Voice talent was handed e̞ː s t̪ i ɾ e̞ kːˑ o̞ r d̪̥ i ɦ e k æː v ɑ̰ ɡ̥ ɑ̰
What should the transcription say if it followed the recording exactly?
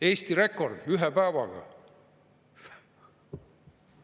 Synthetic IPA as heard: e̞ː s t̪ i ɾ e̞ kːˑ o̞ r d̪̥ y ɦ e p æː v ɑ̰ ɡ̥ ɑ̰